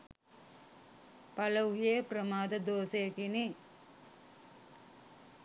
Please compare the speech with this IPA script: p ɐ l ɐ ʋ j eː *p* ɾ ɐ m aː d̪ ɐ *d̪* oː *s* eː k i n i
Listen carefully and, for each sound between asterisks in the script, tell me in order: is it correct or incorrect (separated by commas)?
correct, correct, correct